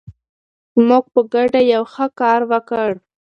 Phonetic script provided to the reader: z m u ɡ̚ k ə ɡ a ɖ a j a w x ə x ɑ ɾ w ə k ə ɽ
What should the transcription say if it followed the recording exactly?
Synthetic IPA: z m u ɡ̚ p ə ɡ a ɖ a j a w x ə k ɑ ɾ w ə k ə ɽ